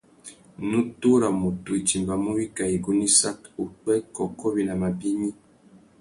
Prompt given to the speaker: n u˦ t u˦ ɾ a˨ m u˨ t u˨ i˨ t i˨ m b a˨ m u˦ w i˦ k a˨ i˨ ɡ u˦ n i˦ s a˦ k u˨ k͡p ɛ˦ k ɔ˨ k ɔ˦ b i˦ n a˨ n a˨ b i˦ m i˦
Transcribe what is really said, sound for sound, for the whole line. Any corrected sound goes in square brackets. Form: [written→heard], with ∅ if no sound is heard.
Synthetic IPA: n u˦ t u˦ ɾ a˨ m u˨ t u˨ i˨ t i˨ m b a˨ m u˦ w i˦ k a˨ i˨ ɡ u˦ n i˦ s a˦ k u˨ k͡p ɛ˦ k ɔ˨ k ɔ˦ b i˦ n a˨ [n→m] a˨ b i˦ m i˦